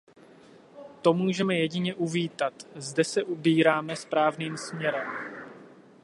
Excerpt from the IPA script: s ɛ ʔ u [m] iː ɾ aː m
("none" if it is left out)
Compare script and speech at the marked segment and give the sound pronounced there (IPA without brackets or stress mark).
b